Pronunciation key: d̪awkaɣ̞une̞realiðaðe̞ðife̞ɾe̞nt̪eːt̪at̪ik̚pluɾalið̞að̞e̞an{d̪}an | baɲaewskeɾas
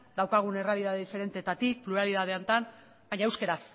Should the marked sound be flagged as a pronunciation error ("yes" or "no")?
yes